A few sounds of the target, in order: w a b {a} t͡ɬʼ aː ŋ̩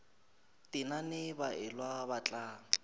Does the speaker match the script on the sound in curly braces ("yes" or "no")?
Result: yes